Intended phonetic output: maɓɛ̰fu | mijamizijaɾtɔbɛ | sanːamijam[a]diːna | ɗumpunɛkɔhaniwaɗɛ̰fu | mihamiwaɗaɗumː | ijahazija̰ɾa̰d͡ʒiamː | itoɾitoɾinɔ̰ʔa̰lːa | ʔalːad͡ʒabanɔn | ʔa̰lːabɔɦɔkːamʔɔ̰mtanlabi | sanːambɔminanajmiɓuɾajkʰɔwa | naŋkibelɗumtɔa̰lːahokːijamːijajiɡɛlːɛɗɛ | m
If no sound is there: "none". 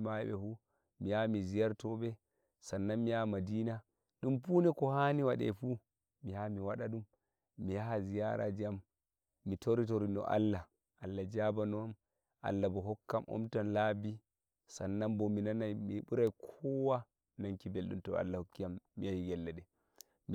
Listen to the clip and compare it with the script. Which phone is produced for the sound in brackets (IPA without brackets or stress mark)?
a